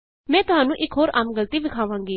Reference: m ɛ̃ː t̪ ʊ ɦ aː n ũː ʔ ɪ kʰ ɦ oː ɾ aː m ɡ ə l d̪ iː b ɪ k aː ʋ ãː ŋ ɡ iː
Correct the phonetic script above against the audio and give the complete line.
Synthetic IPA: m ɛ̃ː t̪ ʊ ɦ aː n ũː ʔ ɪ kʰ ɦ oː ɾ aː m ɡ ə l t̪ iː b ɪ kʰ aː ʋ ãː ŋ ɡ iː